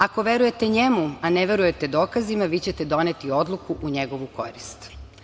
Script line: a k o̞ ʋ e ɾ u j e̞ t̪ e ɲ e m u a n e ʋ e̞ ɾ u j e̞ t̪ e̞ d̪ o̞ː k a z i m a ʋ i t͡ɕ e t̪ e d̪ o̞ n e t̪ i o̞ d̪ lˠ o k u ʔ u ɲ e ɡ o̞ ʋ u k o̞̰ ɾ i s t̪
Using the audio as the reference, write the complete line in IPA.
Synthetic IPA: a k o̞ ʋ e ɾ u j e̞ t̪ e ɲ e m u a n e ʋ e̞ ɾ u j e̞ t̪ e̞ d̪ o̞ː k a z i m a ʋ i t͡ɕ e t̪ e d̪ o̞ n e t̪ i o̞ d̪ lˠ u k u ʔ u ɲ e ɡ o̞ ʋ u k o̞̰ ɾ i s t̪